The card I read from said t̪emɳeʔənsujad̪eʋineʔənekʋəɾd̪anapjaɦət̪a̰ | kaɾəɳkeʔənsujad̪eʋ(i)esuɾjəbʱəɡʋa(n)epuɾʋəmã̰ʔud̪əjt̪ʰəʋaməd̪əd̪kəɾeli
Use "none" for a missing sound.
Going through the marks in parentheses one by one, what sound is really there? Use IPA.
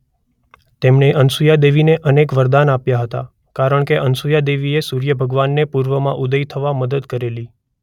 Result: i, nː

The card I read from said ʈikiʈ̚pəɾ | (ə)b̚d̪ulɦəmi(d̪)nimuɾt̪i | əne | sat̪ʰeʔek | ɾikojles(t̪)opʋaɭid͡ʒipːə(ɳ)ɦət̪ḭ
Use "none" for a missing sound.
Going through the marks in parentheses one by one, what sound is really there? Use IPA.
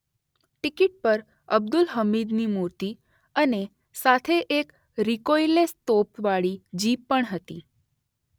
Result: ə, d̪, t̪, ɳ

